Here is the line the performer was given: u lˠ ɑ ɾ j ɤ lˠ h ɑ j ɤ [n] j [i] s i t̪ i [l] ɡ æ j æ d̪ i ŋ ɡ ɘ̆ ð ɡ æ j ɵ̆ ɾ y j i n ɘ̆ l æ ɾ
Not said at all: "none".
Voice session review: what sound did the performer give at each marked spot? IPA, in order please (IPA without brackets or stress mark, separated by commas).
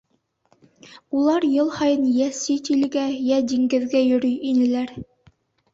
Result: n, æ, l